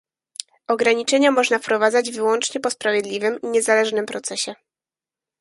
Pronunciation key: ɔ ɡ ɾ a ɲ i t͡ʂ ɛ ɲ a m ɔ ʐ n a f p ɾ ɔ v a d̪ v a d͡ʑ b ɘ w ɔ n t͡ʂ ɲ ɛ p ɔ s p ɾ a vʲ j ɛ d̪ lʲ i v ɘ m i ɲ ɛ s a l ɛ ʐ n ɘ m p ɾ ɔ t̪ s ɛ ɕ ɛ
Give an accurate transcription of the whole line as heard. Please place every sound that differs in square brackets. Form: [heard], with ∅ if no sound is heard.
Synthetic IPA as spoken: ɔ ɡ ɾ a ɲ i t͡ʂ ɛ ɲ a m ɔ ʐ n a f p ɾ ɔ v a d̪ [z] a d͡ʑ [v] ɘ w ɔ n t͡ʂ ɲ ɛ p ɔ s p ɾ a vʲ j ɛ d̪ lʲ i v ɘ m i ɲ ɛ [z] a l ɛ ʐ n ɘ m p ɾ ɔ t̪ s ɛ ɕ ɛ